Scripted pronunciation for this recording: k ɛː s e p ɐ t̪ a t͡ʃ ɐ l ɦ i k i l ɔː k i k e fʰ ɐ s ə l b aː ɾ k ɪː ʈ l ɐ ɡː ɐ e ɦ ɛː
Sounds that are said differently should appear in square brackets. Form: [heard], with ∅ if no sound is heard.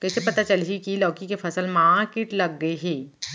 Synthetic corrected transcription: k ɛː s e p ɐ t̪ a t͡ʃ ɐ l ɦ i k i l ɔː k i k e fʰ ɐ s ə l [m] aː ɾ k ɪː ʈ l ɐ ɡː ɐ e ɦ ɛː